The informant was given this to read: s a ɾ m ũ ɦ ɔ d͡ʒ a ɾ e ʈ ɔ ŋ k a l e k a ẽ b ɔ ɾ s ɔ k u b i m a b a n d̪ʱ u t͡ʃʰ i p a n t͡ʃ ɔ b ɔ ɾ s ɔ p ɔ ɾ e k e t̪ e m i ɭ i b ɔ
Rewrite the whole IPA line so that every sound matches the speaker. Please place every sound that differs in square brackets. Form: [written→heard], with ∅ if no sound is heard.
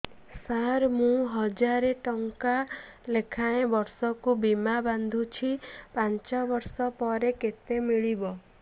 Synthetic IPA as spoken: s a ɾ m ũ ɦ ɔ d͡ʒ a ɾ e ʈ ɔ ŋ k a l e [k→kʰ] a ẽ b ɔ ɾ s ɔ k u b i m a b a n d̪ʱ u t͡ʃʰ i p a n t͡ʃ ɔ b ɔ ɾ s ɔ p ɔ ɾ e k e t̪ e m i ɭ i b ɔ